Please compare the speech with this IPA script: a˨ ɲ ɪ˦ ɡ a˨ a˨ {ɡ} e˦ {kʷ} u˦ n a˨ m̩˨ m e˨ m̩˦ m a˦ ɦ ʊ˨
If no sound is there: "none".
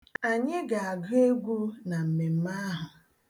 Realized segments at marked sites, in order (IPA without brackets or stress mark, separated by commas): ɡ, ɡʷ